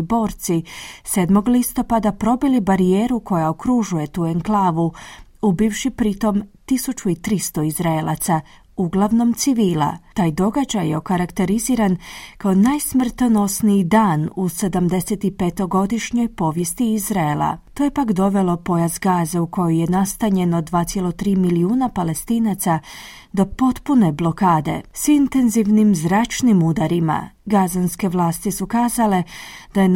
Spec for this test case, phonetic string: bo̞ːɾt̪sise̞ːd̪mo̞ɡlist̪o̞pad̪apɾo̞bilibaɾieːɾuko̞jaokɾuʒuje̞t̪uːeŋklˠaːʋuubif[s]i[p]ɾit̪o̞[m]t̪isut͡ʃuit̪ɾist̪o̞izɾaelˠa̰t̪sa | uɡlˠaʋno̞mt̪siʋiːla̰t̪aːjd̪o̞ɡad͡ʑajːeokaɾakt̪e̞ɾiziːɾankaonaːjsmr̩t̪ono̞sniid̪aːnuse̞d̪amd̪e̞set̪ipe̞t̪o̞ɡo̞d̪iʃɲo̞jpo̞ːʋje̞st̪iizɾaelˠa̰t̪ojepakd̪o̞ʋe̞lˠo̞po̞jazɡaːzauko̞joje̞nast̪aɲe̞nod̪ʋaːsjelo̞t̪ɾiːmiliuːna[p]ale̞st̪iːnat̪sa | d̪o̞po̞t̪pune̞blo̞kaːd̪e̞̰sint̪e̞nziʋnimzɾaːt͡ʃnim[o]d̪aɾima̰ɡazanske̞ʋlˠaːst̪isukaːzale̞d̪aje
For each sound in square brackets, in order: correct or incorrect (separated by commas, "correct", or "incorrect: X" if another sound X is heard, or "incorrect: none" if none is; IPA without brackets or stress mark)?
incorrect: ʃ, correct, correct, correct, incorrect: u